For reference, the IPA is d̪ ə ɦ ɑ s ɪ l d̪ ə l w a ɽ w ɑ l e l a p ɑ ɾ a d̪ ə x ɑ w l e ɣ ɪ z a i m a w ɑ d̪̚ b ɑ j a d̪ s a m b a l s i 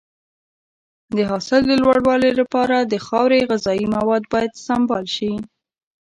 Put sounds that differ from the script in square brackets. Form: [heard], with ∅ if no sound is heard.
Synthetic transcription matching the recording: d̪ ə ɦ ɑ s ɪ l d̪ ə l w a ɽ w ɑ l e l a p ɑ ɾ a d̪ ə x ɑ w [ɾ] e ɣ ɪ z [ɑ] i m a w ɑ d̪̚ b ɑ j a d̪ s a m b [ɑ] l [ʃ] i